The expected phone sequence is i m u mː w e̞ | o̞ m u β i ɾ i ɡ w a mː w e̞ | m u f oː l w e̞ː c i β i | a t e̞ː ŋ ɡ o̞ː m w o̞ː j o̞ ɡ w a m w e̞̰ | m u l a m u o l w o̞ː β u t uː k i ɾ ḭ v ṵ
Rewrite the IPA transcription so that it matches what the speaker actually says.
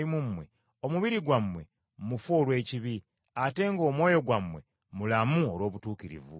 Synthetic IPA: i m u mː w e̞ | o̞ m u β i ɾ i ɡ w a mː w e̞ | m u f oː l w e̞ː c i β i | a t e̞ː ŋ ɡ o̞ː m w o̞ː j o̞ ɡ w a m w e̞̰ | m u l a m u o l w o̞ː β u t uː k i ɾ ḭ v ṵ